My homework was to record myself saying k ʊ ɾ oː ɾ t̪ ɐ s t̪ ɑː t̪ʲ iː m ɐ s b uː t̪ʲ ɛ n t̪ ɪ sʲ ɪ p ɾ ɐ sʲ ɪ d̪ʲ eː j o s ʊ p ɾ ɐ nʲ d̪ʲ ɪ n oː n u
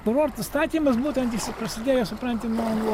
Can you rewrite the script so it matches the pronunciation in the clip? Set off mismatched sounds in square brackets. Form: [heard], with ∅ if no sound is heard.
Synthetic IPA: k ʊ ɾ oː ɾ t̪ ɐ s t̪ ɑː t̪ʲ iː m ɐ s b uː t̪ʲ ɛ n t̪ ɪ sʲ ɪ p ɾ ɐ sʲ ɪ d̪ʲ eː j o s ʊ p ɾ ɐ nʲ [t̪ʲ] ɪ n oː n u